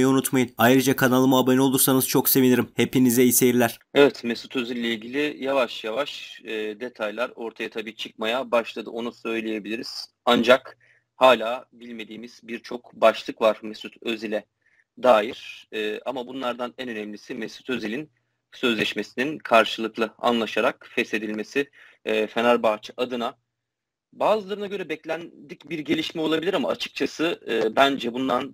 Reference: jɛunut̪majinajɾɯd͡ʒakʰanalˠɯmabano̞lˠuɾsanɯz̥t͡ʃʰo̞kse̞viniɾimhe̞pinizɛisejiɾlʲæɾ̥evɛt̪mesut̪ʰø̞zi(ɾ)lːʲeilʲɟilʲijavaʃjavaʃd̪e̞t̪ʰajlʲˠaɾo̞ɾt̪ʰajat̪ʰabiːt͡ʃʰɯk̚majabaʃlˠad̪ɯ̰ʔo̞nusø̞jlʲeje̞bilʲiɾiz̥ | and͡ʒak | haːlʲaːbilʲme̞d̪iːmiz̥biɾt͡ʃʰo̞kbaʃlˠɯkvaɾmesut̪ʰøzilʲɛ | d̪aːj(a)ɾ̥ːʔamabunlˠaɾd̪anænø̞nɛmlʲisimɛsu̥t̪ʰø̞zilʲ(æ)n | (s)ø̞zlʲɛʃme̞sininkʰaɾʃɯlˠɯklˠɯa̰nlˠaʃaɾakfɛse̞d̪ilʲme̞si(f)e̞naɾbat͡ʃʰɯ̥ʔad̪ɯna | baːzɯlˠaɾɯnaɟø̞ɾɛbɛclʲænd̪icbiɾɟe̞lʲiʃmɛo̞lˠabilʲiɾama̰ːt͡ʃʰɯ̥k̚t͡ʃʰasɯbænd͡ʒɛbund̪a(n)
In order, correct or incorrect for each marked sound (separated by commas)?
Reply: incorrect, incorrect, incorrect, correct, correct, correct